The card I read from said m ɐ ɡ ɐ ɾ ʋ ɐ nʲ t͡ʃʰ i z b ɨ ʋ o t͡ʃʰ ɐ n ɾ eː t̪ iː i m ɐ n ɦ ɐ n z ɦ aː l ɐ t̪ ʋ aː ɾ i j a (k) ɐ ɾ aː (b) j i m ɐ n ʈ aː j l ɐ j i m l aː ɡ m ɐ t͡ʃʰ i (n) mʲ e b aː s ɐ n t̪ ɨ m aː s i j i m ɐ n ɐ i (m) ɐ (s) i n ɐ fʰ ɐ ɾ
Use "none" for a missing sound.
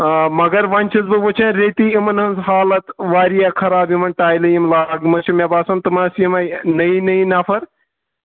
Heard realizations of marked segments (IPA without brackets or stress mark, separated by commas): kʰ, b, none, n, none